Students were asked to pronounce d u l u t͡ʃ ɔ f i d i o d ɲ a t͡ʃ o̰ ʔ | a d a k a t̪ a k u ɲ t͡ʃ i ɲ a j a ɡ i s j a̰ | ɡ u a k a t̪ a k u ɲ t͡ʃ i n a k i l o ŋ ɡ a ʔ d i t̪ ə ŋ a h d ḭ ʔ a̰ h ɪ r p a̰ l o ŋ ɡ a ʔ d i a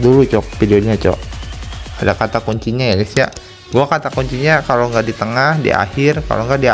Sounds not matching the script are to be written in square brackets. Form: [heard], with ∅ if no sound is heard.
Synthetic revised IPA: d u l u t͡ʃ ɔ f i d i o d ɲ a t͡ʃ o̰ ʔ | a d a k a t̪ a k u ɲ t͡ʃ i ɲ a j a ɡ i s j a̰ | ɡ u a k a t̪ a k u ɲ t͡ʃ i [ɲ] a k [a] l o ŋ ɡ a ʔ d i t̪ ə ŋ a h d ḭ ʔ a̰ h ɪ r [k] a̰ l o ŋ ɡ a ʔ d i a

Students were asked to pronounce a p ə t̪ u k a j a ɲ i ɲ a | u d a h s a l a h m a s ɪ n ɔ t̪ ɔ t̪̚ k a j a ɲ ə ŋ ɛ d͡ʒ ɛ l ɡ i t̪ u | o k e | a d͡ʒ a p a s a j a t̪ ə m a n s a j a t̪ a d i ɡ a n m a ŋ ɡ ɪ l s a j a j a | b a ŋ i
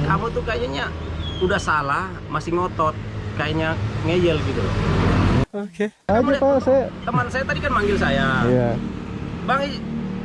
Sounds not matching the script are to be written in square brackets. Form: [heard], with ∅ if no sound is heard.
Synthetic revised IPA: a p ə t̪ u k a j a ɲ [a] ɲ a | u d a h s a l a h m a s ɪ [ŋ] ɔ t̪ ɔ t̪̚ k a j a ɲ [a] ŋ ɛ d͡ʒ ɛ l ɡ i t̪ u | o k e | a d͡ʒ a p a s a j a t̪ ə m a n s a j a t̪ a d i [k] a n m a ŋ ɡ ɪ l s a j a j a | b a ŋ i

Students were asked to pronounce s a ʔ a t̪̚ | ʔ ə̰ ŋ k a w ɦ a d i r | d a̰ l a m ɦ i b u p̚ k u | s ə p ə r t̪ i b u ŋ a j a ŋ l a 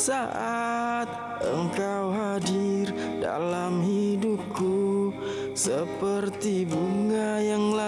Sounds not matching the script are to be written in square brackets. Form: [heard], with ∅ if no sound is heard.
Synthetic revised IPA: s a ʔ a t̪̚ | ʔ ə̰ ŋ k a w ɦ a d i r | d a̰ l a m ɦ i [d] u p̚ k u | s ə p ə r t̪ i b u ŋ a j a ŋ l a

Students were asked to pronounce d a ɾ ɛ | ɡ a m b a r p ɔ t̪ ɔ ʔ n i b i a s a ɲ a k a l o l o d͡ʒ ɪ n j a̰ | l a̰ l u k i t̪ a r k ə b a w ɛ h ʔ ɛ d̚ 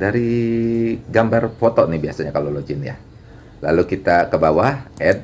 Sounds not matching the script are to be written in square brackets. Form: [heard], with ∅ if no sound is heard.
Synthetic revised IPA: d a ɾ [i] | ɡ a m b a r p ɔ t̪ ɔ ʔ n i b i a s a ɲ a k a l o l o d͡ʒ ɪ n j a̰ | l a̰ l u k i t̪ a [∅] k ə b a w [a] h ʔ ɛ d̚

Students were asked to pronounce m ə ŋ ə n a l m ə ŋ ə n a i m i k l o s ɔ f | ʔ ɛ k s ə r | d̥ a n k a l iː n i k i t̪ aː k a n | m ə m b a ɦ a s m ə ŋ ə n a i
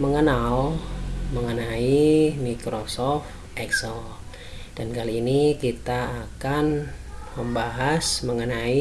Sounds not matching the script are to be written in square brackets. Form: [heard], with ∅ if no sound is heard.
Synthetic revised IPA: m ə ŋ ə n a l m ə ŋ ə n a i m i k [ɾ] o s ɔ f | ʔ ɛ k s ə [l] | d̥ a n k a l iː n i k i t̪ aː k a n | m ə m b a ɦ a s m ə ŋ ə n a i

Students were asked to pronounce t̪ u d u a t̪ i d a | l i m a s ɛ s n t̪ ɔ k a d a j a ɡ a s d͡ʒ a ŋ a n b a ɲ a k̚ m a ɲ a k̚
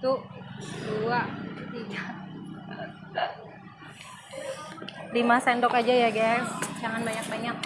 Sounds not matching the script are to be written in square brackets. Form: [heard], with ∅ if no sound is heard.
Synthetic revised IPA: t̪ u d u a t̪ i [ɡ] a | l i m a s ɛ [∅] n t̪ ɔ k a [d͡ʒ] a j a ɡ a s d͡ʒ a ŋ a n b a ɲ a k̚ [b] a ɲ a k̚

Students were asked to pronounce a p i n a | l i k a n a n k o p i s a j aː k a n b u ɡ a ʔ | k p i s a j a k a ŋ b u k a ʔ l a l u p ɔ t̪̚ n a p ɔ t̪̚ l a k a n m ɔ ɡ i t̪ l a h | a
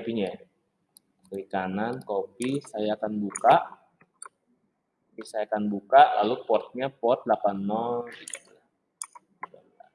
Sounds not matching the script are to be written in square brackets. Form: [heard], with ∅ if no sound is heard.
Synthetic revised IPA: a p i [ɲ] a | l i k a n a n k o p i s a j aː k a n b u [k] a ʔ | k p i s a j a k a [n] b u k a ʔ l a l u p ɔ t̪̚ [ɲ] a p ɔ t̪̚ l a [p] a n m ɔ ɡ i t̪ l a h | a

